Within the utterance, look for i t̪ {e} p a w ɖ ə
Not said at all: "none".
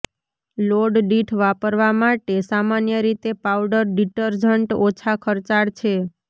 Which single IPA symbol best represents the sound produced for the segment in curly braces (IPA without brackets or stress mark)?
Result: e